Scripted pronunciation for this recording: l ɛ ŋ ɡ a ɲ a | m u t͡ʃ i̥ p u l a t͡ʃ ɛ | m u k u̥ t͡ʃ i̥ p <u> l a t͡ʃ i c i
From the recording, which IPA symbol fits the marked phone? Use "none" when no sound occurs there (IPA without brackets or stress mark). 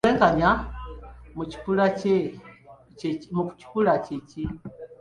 u